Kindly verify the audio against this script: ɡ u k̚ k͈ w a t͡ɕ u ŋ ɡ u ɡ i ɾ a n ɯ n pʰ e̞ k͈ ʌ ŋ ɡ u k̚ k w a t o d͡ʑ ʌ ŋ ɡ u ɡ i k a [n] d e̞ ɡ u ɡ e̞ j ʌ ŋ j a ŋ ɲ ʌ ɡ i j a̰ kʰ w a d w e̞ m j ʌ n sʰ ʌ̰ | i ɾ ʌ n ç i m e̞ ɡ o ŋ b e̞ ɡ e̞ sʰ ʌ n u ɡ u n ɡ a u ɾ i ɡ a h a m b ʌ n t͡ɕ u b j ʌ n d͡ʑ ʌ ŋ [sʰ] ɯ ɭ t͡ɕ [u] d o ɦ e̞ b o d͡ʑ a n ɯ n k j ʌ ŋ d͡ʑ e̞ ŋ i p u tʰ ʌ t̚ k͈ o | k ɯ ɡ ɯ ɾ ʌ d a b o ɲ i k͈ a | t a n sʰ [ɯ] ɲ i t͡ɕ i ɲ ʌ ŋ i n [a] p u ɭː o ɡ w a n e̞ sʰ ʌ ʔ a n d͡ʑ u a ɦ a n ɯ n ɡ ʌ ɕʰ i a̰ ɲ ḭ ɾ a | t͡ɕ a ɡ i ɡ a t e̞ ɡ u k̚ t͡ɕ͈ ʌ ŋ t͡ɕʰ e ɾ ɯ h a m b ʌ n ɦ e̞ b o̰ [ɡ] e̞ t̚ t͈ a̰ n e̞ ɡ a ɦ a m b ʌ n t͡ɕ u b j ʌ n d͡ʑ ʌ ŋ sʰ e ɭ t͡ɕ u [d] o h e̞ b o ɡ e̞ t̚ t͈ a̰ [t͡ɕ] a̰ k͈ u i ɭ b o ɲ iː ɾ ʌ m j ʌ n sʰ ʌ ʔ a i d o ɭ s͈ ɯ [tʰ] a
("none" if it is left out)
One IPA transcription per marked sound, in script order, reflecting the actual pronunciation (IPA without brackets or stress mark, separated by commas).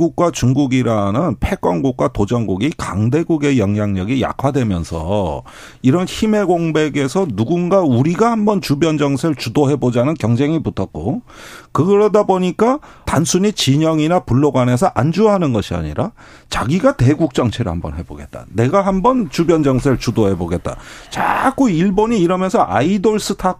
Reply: ŋ, sʰ, u, u, a, ɡ, d, t͡ɕ, tʰ